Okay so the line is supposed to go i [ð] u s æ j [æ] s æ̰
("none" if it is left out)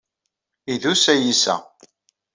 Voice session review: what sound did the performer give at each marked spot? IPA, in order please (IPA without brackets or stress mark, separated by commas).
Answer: ð, i